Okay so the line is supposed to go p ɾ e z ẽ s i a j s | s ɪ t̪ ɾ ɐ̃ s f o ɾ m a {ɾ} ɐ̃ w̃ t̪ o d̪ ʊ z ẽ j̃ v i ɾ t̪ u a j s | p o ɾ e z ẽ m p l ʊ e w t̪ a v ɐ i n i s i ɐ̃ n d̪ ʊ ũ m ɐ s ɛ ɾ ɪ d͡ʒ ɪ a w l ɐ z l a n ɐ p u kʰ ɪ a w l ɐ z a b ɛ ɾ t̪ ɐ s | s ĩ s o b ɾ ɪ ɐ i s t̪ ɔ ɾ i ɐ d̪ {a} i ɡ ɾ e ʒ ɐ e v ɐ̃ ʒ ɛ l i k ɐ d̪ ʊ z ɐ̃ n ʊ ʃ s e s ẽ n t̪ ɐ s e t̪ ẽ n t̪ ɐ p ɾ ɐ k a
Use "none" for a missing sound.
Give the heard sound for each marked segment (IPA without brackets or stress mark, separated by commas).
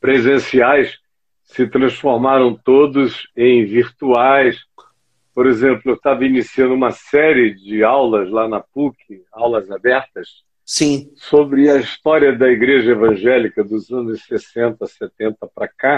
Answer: ɾ, ɐ